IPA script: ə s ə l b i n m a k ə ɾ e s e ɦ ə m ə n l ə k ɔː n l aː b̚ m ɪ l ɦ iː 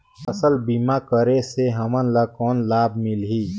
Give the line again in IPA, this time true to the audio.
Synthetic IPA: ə s ə l b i m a k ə ɾ e s e ɦ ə m ə n l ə k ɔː n l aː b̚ m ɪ l ɦ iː